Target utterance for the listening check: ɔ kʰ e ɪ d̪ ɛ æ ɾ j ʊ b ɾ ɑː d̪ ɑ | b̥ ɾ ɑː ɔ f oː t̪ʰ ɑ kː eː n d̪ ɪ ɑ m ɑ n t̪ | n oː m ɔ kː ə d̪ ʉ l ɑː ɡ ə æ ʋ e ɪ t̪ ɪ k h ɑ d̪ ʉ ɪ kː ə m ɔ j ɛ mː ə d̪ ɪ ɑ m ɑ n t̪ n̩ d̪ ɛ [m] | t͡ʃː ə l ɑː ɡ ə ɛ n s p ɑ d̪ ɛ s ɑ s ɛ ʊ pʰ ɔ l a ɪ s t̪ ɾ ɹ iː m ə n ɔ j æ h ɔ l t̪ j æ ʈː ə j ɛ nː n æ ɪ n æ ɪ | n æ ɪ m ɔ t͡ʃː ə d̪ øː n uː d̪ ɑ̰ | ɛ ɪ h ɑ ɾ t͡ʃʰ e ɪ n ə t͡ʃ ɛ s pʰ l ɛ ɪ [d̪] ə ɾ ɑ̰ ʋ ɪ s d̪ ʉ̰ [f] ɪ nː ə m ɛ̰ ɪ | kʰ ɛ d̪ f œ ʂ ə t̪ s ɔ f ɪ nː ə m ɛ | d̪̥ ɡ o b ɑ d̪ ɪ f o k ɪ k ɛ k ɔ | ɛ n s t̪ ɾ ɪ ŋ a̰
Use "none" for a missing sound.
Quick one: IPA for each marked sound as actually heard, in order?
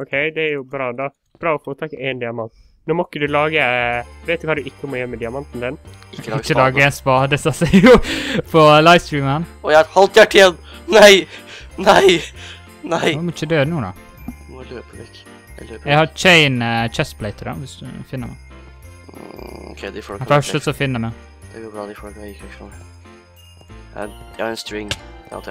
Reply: n, t̪, f

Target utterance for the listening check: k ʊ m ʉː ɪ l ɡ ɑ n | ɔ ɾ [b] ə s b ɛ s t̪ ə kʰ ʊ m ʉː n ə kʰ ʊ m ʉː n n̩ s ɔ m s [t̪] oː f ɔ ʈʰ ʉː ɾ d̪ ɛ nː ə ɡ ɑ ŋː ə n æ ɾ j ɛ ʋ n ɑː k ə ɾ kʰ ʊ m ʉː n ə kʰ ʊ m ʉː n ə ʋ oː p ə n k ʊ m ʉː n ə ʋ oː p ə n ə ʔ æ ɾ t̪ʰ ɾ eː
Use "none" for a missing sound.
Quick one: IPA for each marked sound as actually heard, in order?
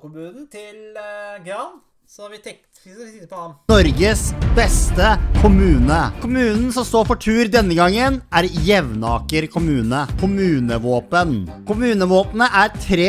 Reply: ɡ, t̪

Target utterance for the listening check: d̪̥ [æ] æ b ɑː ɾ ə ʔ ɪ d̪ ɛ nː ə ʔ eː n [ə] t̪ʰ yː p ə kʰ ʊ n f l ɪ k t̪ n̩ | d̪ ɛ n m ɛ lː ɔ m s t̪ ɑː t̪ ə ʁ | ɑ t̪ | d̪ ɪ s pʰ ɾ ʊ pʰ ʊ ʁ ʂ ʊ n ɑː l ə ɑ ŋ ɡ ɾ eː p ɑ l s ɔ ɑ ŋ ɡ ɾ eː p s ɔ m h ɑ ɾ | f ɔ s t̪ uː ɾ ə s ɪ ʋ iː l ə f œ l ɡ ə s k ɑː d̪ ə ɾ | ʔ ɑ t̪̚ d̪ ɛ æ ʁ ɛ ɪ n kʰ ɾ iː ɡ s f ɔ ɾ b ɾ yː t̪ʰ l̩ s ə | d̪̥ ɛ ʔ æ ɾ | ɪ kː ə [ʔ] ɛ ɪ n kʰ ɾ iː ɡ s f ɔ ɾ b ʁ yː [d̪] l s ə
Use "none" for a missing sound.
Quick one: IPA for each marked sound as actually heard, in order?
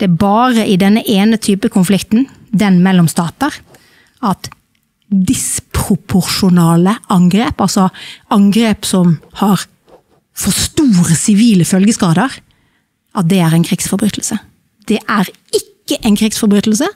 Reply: ɛ, ə, ʔ, t̪

